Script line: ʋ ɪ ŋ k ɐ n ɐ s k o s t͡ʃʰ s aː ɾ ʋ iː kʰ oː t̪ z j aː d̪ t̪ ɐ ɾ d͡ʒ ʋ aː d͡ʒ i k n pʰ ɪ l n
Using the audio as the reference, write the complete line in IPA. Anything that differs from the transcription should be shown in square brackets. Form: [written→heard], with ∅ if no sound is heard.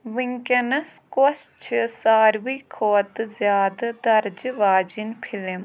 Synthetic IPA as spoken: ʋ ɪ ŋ k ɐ n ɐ s k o s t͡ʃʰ s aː ɾ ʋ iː kʰ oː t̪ z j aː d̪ [t̪→d̪] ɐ ɾ d͡ʒ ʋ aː d͡ʒ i [k→∅] n pʰ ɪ l [n→m]